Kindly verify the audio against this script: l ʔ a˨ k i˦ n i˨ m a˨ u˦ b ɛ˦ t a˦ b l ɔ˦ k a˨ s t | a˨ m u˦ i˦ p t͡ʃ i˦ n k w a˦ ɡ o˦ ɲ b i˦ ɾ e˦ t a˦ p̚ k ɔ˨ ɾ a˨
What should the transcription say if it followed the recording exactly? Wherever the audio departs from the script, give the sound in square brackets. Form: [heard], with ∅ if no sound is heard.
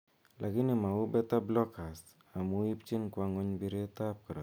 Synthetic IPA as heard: l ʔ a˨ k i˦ n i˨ m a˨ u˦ b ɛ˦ t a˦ b l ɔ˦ k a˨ s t | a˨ m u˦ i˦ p t͡ʃ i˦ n k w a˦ [ŋ] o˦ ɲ b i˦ ɾ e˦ t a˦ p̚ k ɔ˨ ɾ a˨